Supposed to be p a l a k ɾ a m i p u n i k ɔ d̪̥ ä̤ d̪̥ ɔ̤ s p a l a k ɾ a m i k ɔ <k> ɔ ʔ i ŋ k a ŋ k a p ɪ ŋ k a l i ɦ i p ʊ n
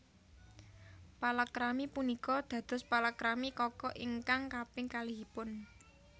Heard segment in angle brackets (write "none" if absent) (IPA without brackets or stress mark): k